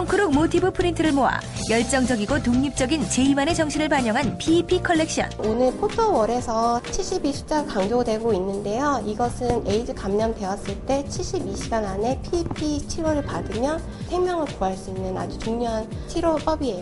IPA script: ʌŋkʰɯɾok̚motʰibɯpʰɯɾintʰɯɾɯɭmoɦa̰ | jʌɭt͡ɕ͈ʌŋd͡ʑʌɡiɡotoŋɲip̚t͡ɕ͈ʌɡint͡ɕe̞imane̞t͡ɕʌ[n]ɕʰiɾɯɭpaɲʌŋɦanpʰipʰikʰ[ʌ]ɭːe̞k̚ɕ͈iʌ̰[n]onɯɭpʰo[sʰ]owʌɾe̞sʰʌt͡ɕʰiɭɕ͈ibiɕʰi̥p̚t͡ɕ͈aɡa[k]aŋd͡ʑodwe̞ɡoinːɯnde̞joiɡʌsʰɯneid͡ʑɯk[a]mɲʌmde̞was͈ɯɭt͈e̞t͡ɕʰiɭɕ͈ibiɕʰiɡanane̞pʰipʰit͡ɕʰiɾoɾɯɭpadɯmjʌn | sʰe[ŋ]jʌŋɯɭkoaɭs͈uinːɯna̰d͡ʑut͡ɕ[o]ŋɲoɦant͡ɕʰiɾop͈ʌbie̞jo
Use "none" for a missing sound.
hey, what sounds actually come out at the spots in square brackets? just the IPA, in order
ŋ, ʌ, n, tʰ, k, a, m, u

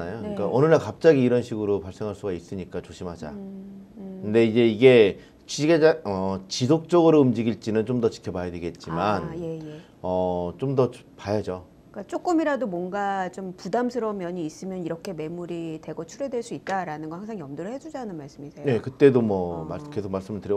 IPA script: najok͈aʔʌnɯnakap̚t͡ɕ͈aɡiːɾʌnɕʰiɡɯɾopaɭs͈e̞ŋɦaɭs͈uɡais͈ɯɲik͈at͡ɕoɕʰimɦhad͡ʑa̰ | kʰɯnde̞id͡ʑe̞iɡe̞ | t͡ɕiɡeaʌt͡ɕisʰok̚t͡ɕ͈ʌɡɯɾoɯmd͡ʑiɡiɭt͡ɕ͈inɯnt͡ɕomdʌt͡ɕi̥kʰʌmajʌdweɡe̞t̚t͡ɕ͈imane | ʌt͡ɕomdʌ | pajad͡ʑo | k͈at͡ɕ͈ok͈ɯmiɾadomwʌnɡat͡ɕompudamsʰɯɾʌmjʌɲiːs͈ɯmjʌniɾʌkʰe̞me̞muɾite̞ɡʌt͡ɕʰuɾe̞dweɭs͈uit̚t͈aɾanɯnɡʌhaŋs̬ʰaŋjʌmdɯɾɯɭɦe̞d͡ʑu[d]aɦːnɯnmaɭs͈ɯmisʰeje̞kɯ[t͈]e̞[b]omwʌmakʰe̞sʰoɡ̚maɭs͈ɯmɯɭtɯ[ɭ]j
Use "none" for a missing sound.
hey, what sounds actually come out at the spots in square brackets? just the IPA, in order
d͡ʑ, t͈, d, ɾ

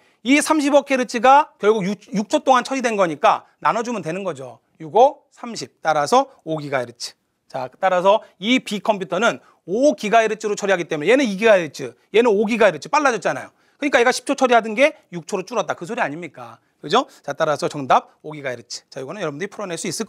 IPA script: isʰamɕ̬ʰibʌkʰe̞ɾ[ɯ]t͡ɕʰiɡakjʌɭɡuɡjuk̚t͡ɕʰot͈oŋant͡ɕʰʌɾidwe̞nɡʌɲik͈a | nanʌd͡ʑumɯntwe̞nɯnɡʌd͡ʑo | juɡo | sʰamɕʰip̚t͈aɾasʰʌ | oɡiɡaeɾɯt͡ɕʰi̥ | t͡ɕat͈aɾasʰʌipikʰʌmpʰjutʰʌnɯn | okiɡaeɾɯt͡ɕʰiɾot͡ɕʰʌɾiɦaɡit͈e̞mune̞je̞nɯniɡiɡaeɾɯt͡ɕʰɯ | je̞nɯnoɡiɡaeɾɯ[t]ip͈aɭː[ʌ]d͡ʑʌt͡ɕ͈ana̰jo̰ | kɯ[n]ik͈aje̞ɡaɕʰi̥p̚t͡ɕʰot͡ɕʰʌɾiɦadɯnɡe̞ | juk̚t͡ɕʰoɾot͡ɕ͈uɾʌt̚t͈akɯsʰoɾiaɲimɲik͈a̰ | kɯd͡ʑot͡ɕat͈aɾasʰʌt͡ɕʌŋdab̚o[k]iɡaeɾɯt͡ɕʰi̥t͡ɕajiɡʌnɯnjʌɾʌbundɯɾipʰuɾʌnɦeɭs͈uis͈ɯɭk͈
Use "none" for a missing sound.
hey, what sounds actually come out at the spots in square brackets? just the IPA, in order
ɯ, t͡ɕʰ, a, ɲ, ɡ

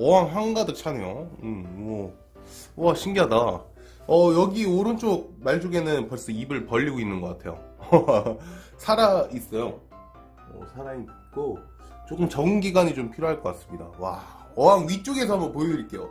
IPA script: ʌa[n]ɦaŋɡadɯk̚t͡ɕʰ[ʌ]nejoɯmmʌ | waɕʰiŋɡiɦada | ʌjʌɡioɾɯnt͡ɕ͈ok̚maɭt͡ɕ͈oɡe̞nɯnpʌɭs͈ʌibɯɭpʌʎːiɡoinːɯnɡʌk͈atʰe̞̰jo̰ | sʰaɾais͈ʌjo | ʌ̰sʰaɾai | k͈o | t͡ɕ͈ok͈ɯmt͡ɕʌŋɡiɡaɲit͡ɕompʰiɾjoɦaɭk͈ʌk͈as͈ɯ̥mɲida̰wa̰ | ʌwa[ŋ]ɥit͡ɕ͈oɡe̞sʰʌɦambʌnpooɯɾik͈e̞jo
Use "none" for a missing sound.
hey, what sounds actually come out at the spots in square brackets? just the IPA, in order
ŋ, a, ŋ

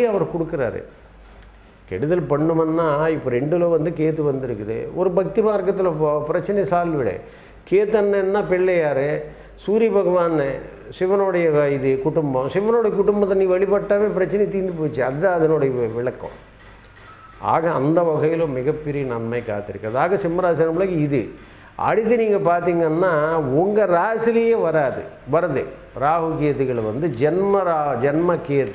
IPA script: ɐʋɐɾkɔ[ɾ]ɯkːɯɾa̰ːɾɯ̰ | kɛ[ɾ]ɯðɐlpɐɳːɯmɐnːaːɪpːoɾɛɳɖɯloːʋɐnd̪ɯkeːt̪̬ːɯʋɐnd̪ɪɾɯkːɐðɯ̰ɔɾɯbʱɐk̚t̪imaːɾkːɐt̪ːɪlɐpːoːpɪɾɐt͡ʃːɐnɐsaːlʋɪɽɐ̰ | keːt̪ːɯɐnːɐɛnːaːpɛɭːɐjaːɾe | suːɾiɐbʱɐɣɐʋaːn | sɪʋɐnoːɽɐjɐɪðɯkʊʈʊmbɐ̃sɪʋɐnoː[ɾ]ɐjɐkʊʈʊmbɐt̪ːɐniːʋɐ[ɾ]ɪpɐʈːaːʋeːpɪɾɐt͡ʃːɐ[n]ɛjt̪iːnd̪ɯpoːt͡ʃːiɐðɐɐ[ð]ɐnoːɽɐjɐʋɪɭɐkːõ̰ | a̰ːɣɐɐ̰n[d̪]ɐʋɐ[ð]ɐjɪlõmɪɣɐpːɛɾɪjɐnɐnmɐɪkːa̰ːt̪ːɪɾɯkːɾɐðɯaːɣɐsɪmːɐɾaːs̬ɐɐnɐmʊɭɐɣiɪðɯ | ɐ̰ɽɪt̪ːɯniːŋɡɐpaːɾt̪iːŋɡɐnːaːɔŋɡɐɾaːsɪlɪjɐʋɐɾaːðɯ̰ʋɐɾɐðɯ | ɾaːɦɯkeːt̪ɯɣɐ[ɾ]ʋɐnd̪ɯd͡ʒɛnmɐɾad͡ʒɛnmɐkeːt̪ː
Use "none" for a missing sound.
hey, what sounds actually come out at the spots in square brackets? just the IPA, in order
ɽ, ɽ, ɽ, ɭ, n, ð, d̪, ɣ, ɭ

